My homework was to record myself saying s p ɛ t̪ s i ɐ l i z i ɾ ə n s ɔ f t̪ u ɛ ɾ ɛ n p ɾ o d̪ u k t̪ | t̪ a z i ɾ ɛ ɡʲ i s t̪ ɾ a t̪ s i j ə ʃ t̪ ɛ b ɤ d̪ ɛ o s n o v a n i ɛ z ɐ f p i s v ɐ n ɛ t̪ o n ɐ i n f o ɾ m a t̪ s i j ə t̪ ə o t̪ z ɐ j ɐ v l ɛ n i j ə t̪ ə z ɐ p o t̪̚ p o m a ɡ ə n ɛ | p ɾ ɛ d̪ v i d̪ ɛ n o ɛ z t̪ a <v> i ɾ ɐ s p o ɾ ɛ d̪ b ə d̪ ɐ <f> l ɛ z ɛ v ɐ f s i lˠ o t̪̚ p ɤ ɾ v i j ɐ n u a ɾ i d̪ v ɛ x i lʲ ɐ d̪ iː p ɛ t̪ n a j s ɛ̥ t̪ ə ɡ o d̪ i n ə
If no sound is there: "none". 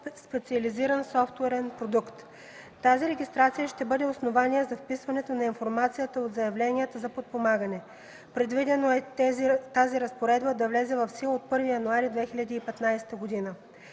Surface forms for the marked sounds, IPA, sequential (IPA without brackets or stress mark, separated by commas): z, v